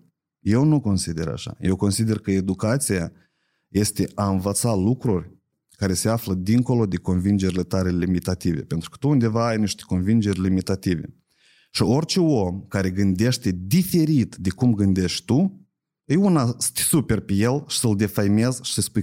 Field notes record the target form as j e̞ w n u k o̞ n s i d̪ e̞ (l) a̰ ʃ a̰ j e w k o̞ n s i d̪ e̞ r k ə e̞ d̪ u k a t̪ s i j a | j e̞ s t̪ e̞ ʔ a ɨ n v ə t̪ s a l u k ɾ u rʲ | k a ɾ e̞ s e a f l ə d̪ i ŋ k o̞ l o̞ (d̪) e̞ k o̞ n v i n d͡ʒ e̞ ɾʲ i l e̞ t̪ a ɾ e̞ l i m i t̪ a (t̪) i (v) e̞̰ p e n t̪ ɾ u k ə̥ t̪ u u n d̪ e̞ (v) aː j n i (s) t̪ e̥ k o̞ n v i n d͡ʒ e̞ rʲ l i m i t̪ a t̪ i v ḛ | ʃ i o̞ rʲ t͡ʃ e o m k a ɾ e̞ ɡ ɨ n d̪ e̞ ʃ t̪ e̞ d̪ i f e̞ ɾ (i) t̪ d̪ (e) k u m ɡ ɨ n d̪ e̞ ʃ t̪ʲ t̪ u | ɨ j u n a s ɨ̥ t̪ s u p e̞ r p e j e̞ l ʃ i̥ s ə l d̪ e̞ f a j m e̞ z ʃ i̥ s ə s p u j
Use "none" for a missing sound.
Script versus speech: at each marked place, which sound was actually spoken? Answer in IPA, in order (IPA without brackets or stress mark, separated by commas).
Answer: ɾ, d̪, t̪, v, v, ʃ, i, e